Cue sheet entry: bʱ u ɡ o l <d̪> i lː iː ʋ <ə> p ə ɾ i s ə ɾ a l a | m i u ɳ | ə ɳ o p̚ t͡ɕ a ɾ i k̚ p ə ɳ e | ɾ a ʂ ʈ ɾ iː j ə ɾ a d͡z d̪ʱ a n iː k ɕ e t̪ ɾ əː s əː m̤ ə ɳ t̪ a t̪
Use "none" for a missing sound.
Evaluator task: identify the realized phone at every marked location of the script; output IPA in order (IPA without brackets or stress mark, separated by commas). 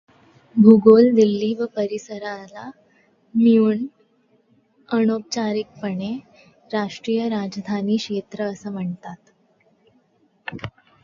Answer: d̪, ə